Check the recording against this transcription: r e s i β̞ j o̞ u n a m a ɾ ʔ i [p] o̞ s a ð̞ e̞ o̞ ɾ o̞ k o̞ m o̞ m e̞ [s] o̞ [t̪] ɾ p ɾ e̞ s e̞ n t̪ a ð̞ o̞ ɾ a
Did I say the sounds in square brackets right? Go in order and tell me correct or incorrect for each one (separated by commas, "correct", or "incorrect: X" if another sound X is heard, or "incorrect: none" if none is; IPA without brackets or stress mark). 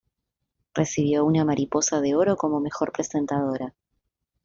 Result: correct, incorrect: x, incorrect: none